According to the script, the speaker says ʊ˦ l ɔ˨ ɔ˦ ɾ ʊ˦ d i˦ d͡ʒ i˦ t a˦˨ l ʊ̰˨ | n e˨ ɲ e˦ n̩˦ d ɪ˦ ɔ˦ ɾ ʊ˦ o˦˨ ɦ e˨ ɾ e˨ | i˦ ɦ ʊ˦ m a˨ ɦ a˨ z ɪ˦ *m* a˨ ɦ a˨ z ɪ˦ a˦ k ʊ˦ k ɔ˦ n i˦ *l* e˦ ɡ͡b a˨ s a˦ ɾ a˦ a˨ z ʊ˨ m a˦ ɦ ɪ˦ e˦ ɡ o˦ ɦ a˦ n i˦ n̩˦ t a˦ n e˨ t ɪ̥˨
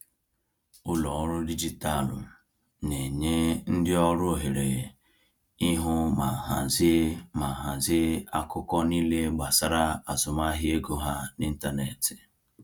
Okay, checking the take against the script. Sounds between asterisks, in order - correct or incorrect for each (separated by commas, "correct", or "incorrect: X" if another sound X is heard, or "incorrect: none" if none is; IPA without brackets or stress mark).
correct, correct